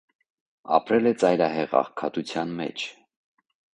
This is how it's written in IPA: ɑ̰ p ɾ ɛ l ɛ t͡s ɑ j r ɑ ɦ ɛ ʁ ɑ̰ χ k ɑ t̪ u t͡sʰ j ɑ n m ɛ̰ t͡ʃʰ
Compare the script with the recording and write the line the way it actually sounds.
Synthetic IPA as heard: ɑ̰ p ɾ ɛ l ɛ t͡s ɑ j ɾ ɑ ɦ ɛ ʁ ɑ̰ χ kʰ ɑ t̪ u t͡sʰ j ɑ n m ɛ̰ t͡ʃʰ

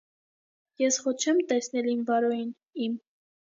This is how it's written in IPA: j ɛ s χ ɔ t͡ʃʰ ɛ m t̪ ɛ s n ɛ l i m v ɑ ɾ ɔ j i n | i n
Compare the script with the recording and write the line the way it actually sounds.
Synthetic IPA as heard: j ɛ s χ ɔ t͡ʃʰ ɛ m t̪ ɛ s n ɛ l i m v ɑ ɾ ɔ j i n | i m

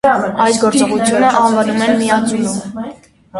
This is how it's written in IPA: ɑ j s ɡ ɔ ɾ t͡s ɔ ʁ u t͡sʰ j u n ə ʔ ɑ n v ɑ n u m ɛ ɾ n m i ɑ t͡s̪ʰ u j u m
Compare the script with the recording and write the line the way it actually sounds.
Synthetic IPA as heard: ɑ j s ɡ ɔ ɾ t͡s ɔ ʁ u t͡sʰ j u n ə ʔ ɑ n v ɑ n u m ɛ n m i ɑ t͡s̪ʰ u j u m

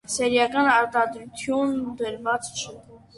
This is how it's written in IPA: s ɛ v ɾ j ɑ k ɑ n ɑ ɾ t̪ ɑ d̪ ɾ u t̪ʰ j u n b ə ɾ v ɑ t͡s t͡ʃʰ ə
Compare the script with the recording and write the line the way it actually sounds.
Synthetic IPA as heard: s ɛ ɾ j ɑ k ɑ n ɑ ɾ t̪ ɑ d̪ ɾ u t̪ʰ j u n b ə ɾ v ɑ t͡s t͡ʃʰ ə

